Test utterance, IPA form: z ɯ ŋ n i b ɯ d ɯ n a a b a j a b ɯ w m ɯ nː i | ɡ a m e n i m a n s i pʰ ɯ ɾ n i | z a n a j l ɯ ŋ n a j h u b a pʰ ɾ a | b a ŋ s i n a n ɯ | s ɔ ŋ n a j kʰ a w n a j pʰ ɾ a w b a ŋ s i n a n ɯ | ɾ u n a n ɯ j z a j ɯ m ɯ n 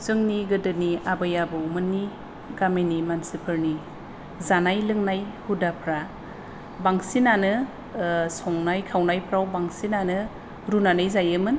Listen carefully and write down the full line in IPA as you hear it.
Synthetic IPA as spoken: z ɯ ŋ n i ɡ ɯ d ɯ n i a b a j a b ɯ w m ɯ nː i | ɡ a m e n i m a n s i pʰ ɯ ɾ n i | z a n a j l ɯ ŋ n a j h u d a pʰ ɾ a | b a ŋ s i n a n ɯ | s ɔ ŋ n a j kʰ a w n a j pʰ ɾ a w b a ŋ s i n a n ɯ | ɾ u n a n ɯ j z a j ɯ m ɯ n